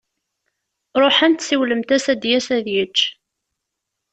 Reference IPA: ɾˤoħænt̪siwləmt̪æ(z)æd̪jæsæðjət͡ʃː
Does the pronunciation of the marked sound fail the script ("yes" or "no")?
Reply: yes